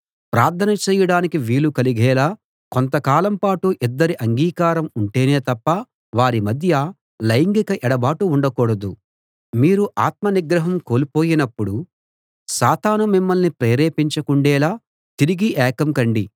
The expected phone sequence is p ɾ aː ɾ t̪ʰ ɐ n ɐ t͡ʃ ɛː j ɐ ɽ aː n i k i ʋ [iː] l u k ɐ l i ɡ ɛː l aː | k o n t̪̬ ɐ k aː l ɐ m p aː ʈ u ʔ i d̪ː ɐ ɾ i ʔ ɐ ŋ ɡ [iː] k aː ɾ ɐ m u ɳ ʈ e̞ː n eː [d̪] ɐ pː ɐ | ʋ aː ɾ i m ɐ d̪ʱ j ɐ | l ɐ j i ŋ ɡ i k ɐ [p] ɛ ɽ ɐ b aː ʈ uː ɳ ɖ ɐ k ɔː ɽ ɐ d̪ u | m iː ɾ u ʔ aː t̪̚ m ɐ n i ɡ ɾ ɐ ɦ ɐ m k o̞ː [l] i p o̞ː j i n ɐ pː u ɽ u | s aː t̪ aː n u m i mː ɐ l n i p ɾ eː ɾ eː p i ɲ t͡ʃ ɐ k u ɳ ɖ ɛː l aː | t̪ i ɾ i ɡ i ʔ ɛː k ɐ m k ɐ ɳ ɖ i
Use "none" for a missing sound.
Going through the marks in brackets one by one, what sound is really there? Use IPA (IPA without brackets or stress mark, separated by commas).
iː, iː, t̪, ʔ, l